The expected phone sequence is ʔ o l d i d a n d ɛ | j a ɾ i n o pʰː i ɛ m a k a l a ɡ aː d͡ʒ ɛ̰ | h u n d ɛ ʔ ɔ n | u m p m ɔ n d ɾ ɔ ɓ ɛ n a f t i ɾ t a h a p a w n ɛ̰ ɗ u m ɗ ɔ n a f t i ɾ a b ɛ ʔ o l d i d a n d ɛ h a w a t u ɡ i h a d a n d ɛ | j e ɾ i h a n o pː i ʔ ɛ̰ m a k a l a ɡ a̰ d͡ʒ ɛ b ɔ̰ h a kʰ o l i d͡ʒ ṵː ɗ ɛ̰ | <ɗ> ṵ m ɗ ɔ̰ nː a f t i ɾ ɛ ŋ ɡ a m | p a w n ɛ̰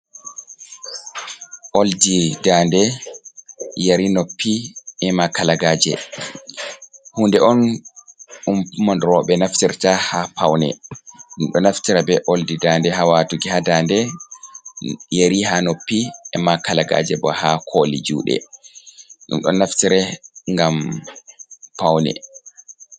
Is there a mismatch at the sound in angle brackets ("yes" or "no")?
no